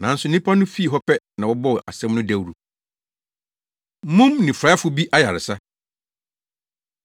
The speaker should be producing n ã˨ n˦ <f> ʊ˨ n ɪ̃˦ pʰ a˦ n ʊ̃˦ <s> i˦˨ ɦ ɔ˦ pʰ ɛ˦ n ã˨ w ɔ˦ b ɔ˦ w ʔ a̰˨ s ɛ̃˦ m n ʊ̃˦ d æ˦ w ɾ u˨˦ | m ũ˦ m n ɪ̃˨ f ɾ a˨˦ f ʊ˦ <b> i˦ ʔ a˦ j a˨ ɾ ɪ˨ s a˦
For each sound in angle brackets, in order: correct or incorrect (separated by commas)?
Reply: incorrect, incorrect, correct